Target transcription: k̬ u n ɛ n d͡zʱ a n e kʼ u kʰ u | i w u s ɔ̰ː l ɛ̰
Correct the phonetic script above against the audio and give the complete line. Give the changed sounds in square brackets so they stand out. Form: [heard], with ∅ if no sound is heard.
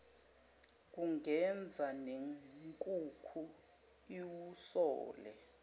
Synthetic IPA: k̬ u [ŋ] ɛ n d͡zʱ a n e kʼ u kʰ u | i w u s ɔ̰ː l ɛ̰